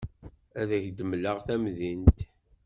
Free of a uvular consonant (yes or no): no